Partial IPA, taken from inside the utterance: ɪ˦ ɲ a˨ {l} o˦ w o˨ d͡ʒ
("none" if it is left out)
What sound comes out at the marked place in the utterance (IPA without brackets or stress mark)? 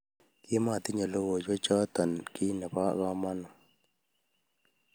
l